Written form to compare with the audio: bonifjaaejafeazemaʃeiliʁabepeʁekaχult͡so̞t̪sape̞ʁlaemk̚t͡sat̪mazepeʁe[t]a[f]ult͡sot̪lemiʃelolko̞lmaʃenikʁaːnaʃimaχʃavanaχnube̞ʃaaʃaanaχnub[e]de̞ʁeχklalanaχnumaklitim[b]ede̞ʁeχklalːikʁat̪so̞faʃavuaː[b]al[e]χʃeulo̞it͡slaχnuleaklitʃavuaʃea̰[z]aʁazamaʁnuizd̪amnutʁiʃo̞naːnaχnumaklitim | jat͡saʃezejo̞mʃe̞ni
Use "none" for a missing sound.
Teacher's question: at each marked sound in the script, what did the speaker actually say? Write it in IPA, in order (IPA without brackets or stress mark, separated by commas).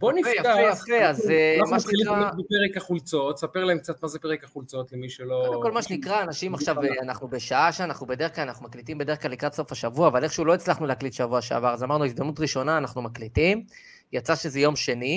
k, χ, e, b, v, e, v